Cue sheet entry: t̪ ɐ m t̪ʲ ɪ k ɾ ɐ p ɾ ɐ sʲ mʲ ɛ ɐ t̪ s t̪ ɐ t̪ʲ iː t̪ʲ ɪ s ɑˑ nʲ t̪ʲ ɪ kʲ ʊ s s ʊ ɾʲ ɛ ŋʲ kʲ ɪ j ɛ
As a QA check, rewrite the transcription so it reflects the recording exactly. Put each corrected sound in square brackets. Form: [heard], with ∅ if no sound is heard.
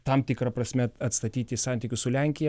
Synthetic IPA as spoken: t̪ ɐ m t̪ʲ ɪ k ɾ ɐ p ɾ ɐ sʲ mʲ ɛ ɐ t̪ s t̪ ɐ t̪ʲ iː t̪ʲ ɪ s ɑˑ nʲ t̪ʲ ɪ kʲ ʊ s s ʊ [lʲ] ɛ ŋʲ kʲ ɪ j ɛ